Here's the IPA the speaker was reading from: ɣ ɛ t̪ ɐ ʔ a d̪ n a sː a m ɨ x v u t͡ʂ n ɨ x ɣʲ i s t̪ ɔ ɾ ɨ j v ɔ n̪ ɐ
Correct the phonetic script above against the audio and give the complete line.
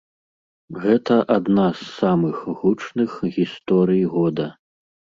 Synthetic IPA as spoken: ɣ ɛ t̪ ɐ ʔ a d̪ n a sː a m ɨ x ɣ u t͡ʂ n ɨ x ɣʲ i s t̪ ɔ ɾ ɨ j ɣ ɔ d̪ ɐ